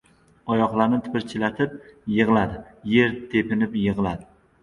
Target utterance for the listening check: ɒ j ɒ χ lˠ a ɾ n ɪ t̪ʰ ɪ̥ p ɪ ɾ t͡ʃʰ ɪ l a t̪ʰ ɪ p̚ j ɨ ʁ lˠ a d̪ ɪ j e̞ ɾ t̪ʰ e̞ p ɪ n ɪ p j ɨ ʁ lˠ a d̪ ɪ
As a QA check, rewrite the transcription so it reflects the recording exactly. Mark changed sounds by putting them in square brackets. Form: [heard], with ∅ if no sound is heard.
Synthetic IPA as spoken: ɒ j ɒ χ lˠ a ɾ n ɪ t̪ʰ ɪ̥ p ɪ ɾ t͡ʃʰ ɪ l a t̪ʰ ɪ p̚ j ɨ ʁ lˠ a d̪ ɪ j e̞ ɾ t̪ʰ e̞ p ɪ n ɪ p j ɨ ʁ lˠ a d̪ ɪ